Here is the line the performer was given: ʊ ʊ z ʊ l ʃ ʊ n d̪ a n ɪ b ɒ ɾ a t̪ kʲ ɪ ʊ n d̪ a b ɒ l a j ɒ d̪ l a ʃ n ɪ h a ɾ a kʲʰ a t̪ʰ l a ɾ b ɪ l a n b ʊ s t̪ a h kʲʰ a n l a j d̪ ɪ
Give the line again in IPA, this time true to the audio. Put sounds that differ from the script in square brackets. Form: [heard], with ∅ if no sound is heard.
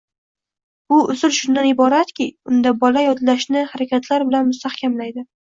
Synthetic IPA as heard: ʊ ʊ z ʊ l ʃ ʊ n d̪ a n ɪ b ɒ ɾ a t̪ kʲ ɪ ʊ n d̪ a b ɒ l a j ɒ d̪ l a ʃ n ɪ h a ɾ a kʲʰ a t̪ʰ l a ɾ b ɪ l a n [m] ʊ s t̪ a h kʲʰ a [m] l a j d̪ ɪ